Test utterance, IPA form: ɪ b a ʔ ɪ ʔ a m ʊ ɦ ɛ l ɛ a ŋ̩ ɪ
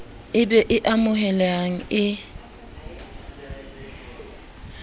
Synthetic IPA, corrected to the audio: ɪ b ɛ ʔ ɪ ʔ a m ʊ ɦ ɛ l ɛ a ŋ̩ ɪ